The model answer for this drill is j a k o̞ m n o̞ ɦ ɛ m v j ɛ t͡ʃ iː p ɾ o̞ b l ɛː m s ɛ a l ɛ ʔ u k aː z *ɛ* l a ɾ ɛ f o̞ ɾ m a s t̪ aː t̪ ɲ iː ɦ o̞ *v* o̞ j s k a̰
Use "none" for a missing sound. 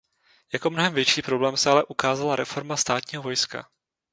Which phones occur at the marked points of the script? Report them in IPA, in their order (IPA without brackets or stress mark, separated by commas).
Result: a, v